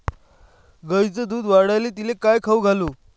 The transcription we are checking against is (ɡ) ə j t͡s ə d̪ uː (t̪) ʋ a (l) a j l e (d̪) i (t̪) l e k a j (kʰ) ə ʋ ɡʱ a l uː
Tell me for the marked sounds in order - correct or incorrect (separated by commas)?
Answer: correct, incorrect, incorrect, incorrect, incorrect, correct